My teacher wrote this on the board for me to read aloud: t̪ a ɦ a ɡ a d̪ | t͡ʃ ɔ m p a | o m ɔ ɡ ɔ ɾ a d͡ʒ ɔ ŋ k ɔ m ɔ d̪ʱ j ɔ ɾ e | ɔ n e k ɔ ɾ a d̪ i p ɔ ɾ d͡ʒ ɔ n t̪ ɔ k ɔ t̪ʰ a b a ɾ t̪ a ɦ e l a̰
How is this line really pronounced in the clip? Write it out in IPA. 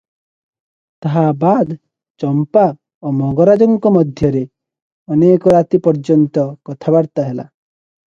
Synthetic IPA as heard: t̪ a ɦ a b a d̪ | t͡ʃ ɔ m p a | o m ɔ ɡ ɔ ɾ a d͡ʒ ɔ ŋ k ɔ m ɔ d̪ʱ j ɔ ɾ e | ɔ n e k ɔ ɾ a t̪ i p ɔ ɾ d͡ʒ ɔ n t̪ ɔ k ɔ t̪ʰ a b a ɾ t̪ a ɦ e l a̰